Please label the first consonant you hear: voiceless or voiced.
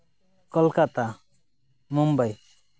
voiceless